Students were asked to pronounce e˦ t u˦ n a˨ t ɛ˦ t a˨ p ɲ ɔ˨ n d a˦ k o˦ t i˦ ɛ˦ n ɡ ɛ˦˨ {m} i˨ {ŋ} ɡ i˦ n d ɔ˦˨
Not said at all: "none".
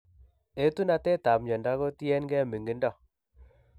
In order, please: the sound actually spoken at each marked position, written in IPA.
m, ŋ

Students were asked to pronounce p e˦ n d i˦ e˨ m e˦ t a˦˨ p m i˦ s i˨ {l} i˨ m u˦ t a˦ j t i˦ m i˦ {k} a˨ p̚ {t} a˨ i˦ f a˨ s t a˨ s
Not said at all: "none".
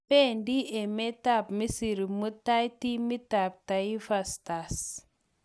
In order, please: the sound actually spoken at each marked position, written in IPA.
ɾ, t, t

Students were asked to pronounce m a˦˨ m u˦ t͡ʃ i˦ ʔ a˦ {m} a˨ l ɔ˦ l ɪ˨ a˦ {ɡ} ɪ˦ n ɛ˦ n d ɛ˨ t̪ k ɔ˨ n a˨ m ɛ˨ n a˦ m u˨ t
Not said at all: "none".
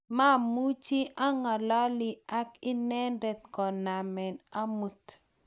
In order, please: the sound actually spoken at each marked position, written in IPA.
ŋ, k

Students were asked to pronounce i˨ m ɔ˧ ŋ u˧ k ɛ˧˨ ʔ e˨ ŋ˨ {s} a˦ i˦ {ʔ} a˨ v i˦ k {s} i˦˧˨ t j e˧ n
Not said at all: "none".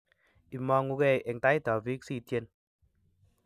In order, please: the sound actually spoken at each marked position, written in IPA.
t, t, s

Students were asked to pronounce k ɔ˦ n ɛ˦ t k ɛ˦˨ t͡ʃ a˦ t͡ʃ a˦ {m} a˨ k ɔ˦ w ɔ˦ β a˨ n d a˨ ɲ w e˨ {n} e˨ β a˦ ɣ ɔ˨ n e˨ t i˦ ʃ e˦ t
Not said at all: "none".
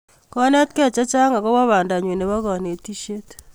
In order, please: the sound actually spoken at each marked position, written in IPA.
ŋ, n

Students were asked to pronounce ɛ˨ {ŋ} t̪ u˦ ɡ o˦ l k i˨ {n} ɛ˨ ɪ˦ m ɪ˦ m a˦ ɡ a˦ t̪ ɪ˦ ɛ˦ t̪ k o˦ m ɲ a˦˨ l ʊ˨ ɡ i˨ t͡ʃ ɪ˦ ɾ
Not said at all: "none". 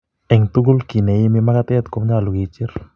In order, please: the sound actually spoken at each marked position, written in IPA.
ŋ, n

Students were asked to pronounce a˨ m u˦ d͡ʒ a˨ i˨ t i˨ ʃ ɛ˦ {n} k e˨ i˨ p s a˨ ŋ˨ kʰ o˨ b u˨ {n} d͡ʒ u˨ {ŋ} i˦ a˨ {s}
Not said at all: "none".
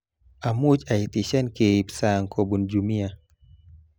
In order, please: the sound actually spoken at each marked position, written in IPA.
n, n, m, none

